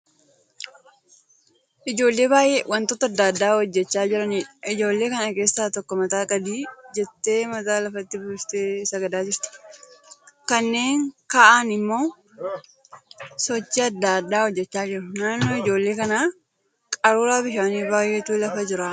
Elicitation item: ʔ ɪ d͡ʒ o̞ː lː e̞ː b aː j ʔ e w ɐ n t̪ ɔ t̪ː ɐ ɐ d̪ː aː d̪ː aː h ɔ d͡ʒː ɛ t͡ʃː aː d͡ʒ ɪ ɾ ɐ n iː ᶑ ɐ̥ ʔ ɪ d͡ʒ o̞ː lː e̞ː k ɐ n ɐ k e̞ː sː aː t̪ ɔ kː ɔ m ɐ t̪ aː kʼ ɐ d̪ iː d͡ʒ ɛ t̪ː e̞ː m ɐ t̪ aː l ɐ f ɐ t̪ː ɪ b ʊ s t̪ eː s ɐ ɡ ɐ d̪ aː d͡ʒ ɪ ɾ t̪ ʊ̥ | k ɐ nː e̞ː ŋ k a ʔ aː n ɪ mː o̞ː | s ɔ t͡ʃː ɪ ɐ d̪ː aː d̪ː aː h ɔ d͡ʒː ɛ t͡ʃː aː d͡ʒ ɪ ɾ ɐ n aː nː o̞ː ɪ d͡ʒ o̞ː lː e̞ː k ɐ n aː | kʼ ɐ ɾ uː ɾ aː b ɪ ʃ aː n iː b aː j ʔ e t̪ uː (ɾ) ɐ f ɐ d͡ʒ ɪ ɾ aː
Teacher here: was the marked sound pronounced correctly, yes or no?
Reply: no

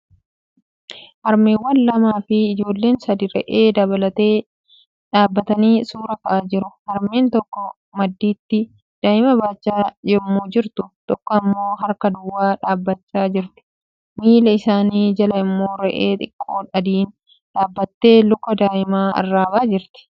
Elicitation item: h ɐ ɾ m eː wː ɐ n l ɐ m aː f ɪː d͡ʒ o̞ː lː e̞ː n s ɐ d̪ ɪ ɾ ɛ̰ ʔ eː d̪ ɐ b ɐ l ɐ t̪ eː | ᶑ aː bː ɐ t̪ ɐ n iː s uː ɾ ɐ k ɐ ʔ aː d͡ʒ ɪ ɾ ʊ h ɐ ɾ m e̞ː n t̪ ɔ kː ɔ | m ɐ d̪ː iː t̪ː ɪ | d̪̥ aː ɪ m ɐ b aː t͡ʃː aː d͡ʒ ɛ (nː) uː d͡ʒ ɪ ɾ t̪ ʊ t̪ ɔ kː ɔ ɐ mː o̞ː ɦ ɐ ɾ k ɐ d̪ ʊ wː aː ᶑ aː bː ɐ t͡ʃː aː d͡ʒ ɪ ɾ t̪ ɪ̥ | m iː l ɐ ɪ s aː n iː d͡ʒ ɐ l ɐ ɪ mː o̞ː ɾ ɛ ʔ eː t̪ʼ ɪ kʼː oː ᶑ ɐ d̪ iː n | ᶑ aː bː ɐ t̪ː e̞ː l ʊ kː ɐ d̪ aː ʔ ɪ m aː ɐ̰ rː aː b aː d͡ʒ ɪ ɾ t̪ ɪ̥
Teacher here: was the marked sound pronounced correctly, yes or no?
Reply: no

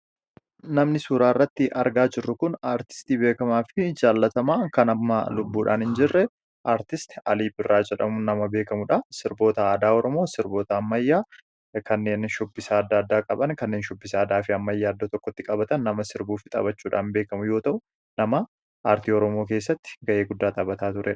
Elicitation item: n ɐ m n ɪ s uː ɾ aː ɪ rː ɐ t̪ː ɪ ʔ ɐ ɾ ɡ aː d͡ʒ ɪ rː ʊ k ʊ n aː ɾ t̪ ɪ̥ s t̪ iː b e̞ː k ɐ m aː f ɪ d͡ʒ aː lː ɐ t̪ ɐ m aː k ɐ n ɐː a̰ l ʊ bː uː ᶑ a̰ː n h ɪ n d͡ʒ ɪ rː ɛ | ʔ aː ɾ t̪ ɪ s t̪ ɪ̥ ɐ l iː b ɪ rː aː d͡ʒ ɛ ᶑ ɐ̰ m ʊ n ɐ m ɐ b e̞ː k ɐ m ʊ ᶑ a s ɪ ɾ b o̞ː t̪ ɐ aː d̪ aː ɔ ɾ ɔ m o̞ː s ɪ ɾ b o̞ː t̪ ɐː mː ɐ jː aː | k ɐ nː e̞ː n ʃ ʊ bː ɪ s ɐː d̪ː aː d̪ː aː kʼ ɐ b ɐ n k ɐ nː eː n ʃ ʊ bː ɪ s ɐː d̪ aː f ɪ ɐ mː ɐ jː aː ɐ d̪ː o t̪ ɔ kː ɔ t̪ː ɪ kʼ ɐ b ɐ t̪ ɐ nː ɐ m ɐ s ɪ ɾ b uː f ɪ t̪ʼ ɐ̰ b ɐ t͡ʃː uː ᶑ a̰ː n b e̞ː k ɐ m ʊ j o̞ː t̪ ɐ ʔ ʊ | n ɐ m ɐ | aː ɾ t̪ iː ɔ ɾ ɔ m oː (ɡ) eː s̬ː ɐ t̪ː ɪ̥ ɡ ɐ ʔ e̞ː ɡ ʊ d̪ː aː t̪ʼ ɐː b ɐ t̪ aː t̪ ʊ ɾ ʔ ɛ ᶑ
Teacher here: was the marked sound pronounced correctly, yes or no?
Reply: no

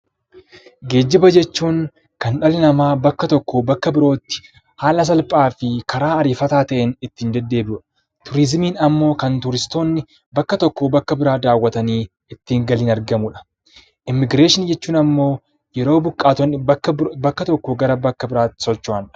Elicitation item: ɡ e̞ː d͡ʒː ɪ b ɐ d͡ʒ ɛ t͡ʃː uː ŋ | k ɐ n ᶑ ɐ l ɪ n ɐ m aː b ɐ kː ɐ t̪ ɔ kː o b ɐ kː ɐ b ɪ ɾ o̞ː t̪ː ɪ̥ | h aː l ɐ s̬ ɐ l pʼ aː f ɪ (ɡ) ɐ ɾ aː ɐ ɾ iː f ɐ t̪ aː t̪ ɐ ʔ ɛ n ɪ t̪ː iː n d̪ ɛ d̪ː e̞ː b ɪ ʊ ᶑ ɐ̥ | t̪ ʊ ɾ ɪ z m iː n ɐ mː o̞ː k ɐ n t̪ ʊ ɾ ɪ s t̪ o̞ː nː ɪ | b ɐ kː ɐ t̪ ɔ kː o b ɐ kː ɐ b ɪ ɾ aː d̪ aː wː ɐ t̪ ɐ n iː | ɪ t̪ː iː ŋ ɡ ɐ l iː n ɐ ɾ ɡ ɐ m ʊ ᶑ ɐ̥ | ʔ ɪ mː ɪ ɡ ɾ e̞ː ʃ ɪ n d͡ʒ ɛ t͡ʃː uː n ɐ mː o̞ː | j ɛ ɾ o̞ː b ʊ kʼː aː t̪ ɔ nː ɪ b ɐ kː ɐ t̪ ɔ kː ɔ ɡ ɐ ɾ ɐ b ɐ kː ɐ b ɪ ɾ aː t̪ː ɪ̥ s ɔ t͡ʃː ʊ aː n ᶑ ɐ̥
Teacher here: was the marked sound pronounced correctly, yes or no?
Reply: no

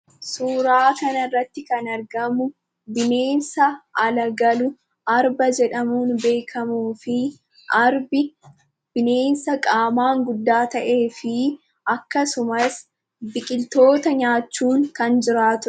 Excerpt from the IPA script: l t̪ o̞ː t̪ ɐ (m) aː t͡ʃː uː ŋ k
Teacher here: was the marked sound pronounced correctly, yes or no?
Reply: no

